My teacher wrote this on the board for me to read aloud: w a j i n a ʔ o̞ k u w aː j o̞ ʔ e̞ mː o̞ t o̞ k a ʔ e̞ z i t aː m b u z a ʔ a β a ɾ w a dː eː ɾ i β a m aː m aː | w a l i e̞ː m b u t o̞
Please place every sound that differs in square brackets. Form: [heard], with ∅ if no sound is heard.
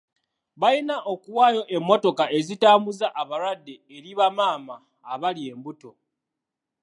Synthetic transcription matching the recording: [β] a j i n a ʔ o̞ k u w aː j o̞ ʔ e̞ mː o̞ t o̞ k a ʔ e̞ z i t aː m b u z a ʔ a β a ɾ w a dː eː ɾ i β a m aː m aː | [β] a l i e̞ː m b u t o̞